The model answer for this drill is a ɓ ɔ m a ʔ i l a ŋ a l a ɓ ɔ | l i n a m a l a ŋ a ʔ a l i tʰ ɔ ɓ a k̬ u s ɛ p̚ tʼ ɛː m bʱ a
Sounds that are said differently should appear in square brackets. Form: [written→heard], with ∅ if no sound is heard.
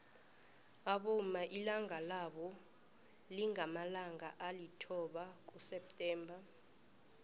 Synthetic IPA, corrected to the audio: a ɓ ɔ m a ʔ i l a ŋ a l a ɓ ɔ | l i [n→ŋ] a m a l a ŋ a ʔ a l i tʰ ɔ ɓ a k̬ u s ɛ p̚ tʼ ɛː m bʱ a